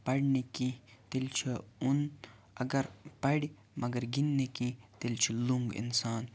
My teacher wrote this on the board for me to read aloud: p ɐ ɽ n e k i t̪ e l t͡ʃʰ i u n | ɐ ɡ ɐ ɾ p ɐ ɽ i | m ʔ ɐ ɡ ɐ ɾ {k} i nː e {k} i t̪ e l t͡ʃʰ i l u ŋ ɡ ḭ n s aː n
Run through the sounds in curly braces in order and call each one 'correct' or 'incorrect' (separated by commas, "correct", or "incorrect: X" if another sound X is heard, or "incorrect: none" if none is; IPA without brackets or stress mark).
incorrect: ɡ, correct